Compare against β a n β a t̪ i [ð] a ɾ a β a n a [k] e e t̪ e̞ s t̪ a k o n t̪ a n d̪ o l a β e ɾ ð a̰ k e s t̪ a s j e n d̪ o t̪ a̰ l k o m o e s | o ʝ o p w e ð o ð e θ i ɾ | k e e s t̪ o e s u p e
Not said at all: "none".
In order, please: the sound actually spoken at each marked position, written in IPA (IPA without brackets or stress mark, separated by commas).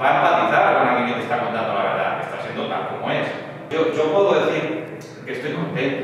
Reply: θ, k